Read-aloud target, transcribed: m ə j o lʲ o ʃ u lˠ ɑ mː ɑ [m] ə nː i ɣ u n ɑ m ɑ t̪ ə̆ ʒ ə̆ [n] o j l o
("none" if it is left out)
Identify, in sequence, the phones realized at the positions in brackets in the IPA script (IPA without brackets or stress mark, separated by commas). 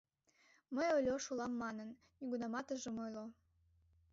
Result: n, m